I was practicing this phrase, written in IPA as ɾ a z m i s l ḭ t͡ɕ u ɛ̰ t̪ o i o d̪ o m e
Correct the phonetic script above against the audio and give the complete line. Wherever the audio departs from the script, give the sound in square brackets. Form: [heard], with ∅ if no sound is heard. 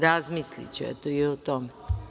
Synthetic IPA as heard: ɾ a z m i s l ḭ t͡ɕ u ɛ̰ t̪ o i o [t̪] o m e